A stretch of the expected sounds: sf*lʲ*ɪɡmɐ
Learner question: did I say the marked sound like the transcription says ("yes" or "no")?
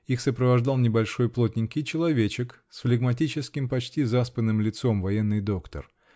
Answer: yes